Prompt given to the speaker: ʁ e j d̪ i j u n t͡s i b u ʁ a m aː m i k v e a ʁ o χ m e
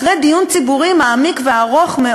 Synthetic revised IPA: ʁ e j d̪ i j u n t͡s i b u ʁ i m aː m i k v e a ʁ o χ m e